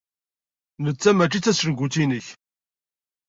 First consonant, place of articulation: alveolar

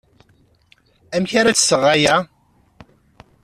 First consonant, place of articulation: labial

